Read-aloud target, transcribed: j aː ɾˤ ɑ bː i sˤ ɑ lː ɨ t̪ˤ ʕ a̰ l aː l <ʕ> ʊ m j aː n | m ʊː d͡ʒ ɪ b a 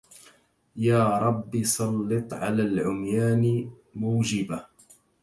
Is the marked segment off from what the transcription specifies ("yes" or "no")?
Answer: no